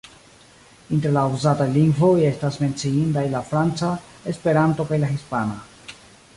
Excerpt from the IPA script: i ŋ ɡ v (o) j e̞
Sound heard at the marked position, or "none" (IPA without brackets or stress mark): o